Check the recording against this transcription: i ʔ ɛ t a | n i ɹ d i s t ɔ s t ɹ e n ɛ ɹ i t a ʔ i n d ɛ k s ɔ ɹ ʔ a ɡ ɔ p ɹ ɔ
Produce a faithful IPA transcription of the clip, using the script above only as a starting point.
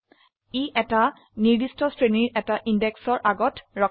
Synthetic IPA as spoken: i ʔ ɛ t a | n i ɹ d i s t ɔ s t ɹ e n i ɹ ɛ t a ʔ i n d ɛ k s ɔ ɹ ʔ a ɡ ɔ t ɹ ɔ